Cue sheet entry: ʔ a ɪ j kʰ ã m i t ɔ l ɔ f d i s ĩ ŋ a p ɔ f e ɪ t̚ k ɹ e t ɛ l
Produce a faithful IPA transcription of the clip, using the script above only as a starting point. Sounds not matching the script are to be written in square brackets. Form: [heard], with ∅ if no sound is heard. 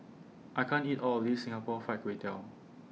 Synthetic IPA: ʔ a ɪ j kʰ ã [n] i t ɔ l ɔ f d i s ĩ ŋ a p ɔ f [a] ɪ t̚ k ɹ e t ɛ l